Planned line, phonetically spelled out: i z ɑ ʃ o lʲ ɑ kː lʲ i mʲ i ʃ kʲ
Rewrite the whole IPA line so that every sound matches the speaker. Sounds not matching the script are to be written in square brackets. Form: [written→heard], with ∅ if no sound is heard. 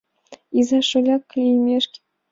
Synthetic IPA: i z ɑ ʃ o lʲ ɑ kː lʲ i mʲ [i→e] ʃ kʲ